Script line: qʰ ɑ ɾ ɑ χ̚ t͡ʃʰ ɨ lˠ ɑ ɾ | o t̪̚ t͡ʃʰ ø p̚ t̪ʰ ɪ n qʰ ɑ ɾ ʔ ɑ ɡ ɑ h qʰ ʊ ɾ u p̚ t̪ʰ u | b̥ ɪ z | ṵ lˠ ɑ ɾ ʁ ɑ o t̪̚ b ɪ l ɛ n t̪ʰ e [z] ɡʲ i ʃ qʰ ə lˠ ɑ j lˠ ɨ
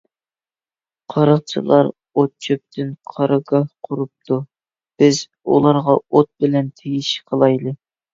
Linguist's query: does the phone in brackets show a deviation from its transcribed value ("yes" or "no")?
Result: yes